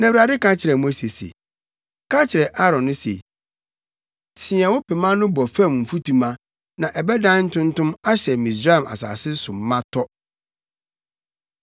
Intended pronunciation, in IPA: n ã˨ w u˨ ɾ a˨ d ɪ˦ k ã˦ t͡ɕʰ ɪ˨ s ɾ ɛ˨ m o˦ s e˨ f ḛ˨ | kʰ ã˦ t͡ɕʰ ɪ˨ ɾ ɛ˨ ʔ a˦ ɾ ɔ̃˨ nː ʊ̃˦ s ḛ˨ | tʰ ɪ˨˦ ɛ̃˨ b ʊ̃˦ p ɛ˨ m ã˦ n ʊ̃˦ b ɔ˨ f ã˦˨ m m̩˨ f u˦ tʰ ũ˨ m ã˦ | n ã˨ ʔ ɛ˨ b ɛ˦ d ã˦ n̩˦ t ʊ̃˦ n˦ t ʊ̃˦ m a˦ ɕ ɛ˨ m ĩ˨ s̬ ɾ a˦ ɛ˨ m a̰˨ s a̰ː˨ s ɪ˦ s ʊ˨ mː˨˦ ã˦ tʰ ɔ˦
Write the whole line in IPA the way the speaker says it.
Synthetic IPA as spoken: n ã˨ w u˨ ɾ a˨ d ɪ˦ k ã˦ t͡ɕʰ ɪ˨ ɾ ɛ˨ m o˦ s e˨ s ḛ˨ | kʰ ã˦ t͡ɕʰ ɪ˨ ɾ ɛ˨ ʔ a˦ ɾ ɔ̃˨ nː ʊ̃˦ s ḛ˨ | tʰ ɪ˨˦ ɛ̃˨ w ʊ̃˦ p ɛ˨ m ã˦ n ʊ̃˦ b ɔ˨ f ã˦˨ m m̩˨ f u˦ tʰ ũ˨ m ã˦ | n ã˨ ʔ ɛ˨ b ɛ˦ d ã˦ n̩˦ t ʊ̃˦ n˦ t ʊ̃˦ m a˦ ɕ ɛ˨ m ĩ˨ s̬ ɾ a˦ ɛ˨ m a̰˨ s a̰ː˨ s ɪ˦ s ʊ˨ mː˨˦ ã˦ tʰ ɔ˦